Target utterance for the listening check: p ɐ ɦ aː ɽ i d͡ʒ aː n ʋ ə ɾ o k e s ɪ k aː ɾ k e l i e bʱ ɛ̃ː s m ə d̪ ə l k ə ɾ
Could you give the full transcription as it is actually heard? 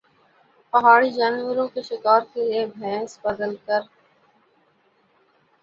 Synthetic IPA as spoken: p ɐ ɦ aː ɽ i d͡ʒ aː n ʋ ə ɾ õ k e ʃ ɪ k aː ɾ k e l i e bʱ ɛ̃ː s b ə d̪ ə l k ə ɾ